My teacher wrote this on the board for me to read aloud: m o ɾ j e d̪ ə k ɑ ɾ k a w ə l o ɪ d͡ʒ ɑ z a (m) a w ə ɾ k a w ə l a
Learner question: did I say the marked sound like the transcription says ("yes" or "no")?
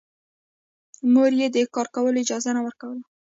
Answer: no